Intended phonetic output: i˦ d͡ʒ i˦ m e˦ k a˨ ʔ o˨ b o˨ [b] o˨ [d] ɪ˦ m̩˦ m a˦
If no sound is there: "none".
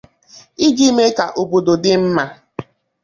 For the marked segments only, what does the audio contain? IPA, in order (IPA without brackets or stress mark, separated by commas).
d, d